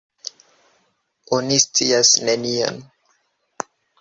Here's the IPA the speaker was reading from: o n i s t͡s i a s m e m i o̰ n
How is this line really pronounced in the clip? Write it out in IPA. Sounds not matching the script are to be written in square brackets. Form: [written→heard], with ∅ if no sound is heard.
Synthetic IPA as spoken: o n i s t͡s i a s [m→n] e [m→n] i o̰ n